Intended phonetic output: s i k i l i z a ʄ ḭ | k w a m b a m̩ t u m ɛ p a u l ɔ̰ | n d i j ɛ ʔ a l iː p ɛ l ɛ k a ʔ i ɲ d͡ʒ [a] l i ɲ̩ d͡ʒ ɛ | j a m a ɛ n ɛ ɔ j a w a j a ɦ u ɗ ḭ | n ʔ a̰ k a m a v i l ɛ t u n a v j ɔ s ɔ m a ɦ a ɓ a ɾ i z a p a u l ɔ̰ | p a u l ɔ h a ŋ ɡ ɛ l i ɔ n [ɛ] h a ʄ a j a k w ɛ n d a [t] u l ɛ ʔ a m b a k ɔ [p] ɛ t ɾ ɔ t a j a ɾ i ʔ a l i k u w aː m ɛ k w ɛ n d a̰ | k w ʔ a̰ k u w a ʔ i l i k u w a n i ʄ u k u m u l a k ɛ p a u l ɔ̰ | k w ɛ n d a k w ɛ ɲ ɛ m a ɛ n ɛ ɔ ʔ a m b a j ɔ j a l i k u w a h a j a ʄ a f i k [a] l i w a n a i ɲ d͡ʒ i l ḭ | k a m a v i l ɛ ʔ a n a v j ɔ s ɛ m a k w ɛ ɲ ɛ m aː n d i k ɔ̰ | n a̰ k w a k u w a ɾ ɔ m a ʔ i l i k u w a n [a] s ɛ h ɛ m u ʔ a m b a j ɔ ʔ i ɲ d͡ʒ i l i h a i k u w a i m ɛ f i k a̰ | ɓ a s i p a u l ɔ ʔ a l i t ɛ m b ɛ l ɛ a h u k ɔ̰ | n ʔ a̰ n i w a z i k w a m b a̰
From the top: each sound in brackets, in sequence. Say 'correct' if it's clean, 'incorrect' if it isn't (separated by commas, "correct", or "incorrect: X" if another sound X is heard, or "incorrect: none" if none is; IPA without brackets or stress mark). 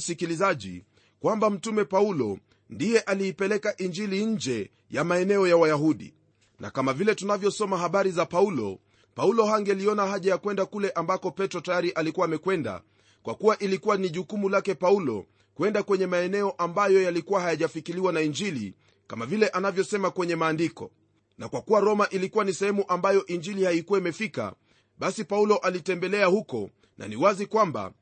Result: incorrect: i, incorrect: a, incorrect: k, correct, incorrect: i, incorrect: i